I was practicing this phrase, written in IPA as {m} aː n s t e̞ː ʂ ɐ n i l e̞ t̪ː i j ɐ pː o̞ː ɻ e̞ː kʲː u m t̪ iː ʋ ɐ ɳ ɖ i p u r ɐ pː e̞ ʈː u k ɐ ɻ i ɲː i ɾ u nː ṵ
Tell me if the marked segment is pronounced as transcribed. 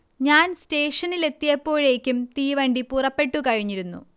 no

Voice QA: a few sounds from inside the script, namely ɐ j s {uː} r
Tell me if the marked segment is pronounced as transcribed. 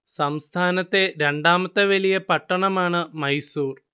yes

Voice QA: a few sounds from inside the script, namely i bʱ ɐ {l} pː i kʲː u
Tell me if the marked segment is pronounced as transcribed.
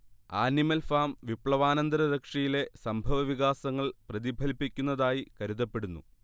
yes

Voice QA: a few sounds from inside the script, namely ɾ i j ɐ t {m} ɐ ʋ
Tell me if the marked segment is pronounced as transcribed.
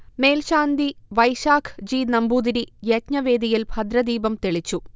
no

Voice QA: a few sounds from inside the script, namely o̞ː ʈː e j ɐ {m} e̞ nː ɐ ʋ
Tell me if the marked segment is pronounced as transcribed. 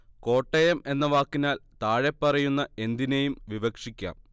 yes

